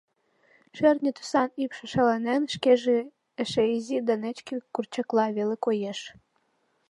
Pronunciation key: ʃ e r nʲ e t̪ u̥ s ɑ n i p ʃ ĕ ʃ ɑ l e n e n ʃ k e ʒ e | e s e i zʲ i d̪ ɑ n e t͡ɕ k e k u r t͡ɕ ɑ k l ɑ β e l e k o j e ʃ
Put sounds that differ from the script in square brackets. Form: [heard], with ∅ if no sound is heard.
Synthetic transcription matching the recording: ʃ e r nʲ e t̪ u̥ s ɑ n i p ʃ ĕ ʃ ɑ l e n e n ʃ k e ʒ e | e [ʃ] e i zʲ i d̪ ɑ n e t͡ɕ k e k u r t͡ɕ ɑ k l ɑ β e l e k o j e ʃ